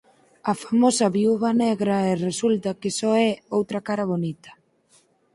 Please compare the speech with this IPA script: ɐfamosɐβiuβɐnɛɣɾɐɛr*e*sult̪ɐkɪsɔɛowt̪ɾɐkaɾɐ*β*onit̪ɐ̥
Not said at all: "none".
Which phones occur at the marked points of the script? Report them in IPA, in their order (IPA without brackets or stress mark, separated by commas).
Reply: e, β